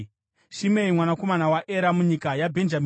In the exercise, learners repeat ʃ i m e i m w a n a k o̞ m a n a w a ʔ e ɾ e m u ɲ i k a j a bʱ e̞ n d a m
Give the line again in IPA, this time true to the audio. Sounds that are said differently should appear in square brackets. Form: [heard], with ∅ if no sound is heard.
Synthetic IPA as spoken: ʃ i m e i m w a n a k o̞ m a n a w a ʔ e ɾ [a] m u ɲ i k a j a bʱ e̞ n [d͡ʒ] a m